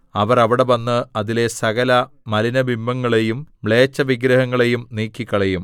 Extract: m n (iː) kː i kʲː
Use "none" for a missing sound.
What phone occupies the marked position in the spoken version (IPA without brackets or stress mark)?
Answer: iː